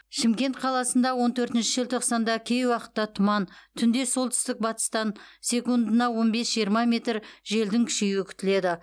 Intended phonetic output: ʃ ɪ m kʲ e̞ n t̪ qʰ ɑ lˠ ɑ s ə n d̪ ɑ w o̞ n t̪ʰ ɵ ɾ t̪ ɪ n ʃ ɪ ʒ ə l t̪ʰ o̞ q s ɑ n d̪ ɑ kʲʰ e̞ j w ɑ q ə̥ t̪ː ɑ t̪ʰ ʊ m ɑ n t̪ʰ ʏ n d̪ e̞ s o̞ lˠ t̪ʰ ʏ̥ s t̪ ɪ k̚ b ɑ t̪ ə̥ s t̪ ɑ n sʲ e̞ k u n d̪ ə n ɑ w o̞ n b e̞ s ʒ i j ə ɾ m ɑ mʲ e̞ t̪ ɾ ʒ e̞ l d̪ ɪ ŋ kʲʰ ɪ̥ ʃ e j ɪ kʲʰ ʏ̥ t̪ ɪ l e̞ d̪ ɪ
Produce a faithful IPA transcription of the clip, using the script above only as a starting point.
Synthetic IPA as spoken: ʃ ɪ m kʲ e̞ n t̪ qʰ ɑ lˠ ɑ s ə n d̪ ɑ w o̞ n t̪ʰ ɵ ɾ t̪ ɪ n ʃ ɪ ʒ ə l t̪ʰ o̞ q s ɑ n d̪ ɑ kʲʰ e̞ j w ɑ q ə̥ t̪ː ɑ t̪ʰ ʊ m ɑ n t̪ʰ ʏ n d̪ e̞ s o̞ lˠ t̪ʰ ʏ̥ s t̪ ɪ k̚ b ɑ t̪ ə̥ s t̪ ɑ n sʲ e̞ k u n d̪ ə n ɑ w o̞ n b e̞ s ʒ i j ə ɾ m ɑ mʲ e̞ t̪ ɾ ʒ e̞ l d̪ ɪ ŋ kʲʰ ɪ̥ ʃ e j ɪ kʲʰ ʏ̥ t̪ ɪ l e̞ d̪ ɪ